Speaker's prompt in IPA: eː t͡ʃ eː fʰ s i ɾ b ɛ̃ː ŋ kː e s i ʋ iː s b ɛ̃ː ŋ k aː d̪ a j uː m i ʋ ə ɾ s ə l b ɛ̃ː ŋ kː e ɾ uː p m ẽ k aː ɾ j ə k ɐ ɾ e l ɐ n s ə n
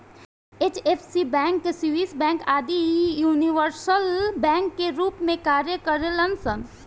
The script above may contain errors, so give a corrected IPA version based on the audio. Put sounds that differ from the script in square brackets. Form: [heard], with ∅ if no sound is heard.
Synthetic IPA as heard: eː t͡ʃ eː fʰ s i [∅] b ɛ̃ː ŋ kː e s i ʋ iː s b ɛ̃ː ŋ k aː d̪ [i] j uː [n] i ʋ ə ɾ s ə l b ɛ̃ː ŋ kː e ɾ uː p m ẽ k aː ɾ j ə k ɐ ɾ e l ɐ n s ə n